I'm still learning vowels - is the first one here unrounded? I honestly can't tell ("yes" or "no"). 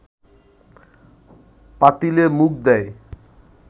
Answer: yes